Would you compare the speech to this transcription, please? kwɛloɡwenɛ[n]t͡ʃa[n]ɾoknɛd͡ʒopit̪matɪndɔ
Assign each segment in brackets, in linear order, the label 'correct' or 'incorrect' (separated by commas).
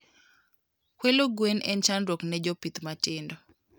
correct, correct